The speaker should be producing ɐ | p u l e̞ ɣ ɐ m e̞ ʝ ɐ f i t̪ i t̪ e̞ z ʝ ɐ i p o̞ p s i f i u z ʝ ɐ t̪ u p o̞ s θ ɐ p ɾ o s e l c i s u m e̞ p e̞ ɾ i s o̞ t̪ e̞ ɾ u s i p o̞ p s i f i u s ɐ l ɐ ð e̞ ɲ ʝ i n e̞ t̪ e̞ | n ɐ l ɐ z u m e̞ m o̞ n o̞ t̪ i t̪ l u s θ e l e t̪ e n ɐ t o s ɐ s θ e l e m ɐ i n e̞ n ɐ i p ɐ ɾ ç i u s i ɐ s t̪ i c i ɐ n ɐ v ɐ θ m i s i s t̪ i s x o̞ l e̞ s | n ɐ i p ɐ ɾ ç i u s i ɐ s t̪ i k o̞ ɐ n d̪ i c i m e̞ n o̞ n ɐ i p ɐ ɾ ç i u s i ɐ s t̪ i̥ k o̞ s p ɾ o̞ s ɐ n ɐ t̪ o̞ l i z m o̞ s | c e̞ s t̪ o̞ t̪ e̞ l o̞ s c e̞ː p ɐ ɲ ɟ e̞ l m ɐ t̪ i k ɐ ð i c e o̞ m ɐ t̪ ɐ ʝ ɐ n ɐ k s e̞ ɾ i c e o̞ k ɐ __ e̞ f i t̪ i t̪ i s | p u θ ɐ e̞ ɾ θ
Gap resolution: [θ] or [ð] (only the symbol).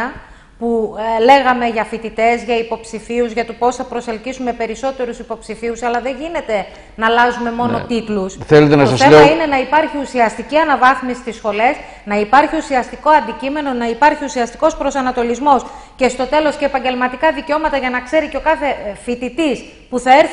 θ